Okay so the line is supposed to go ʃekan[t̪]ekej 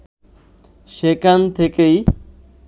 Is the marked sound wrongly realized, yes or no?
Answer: yes